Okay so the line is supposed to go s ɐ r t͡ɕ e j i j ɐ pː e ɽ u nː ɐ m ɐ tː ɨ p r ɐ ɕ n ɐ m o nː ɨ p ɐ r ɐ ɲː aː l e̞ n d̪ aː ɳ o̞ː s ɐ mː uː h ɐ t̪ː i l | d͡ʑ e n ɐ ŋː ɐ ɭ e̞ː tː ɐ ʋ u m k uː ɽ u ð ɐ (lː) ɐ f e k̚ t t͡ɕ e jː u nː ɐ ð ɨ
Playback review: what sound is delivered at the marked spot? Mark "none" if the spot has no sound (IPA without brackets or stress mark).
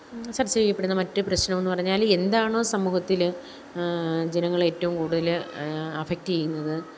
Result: l